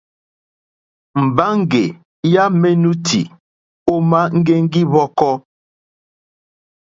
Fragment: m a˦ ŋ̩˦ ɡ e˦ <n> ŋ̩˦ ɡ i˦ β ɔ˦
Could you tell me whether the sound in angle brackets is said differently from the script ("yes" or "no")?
yes